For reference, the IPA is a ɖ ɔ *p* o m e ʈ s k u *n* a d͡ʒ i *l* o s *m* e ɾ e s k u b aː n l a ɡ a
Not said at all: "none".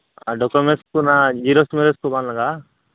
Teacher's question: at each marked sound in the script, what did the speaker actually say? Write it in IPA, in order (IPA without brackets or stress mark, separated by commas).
k, n, ɾ, m